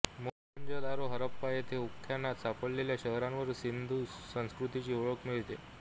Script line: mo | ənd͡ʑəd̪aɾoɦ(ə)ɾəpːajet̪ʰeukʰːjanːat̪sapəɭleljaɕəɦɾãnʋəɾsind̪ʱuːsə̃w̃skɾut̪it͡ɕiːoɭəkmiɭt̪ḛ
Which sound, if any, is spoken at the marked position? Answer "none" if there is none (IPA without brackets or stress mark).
ə